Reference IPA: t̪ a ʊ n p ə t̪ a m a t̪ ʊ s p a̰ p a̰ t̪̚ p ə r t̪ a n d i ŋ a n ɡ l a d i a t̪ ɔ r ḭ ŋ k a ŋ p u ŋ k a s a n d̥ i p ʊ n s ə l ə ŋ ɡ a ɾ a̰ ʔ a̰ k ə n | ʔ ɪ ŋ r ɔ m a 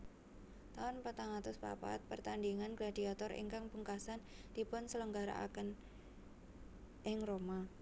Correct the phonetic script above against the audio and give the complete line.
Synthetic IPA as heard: t̪ a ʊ n p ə t̪ a ŋ a t̪ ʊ s p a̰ p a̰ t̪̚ p ə r t̪ a n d i ŋ a n ɡ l a d i a t̪ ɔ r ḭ ŋ k a ŋ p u ŋ k a s a n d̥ i p ʊ n s ə l ə ŋ ɡ a ɾ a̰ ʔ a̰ k ə n | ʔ ɪ ŋ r o m a